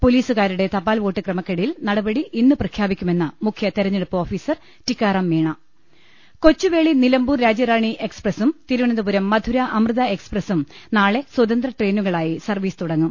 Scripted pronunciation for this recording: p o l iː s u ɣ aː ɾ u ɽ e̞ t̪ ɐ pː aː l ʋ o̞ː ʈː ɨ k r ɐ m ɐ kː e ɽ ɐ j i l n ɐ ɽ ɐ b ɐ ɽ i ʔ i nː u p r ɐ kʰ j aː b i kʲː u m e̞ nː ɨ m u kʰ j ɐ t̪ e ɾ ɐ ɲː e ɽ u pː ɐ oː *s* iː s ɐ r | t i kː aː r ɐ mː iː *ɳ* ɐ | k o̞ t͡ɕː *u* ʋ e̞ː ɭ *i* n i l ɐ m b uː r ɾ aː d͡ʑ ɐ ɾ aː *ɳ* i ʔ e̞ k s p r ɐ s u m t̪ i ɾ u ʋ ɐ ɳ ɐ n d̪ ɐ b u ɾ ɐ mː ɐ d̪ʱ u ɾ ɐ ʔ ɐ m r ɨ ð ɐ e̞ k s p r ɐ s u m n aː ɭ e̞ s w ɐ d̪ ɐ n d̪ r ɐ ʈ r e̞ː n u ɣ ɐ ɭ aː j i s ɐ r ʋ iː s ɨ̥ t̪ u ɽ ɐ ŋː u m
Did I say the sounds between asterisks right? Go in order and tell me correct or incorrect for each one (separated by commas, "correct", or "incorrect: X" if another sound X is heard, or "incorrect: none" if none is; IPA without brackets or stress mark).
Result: incorrect: f, correct, correct, correct, correct